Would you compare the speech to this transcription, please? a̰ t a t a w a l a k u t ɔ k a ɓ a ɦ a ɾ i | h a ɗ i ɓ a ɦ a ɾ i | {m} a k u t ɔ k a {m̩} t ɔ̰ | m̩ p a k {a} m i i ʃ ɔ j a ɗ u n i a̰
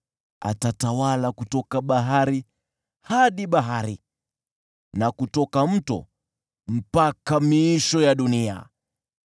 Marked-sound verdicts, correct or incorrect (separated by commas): incorrect, correct, correct